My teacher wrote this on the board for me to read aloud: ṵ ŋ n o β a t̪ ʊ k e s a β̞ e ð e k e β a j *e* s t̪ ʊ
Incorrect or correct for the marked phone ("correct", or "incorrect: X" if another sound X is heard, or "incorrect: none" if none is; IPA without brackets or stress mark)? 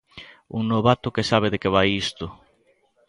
incorrect: i